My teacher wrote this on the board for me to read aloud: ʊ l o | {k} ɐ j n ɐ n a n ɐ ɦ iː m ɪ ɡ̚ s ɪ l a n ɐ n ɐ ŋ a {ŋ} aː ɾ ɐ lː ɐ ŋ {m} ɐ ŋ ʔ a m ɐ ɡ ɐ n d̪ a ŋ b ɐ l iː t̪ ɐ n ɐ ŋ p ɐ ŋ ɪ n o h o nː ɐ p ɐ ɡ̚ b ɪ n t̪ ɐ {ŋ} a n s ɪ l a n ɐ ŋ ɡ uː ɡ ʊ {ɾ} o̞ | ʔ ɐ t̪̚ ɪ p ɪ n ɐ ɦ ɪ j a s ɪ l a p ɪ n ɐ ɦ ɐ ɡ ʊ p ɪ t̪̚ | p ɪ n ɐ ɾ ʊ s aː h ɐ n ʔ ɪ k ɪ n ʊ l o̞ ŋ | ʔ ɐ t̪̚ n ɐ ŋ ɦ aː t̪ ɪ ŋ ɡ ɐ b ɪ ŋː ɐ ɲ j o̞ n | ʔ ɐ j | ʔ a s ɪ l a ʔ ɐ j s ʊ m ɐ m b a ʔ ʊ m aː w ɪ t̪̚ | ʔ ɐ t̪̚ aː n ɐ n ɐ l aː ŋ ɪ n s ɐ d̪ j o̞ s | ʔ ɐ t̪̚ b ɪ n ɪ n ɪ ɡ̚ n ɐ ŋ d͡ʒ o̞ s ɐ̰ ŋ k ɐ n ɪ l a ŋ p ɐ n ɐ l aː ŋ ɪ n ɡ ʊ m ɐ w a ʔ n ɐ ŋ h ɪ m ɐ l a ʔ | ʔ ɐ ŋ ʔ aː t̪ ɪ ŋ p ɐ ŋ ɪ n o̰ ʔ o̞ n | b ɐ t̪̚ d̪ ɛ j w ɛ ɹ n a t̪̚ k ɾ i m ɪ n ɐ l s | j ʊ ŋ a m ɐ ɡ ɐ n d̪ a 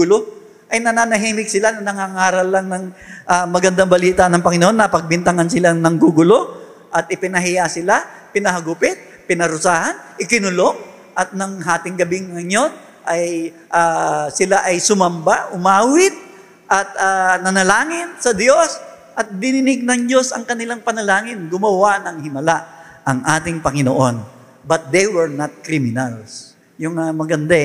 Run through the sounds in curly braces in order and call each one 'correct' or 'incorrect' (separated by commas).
incorrect, correct, incorrect, correct, incorrect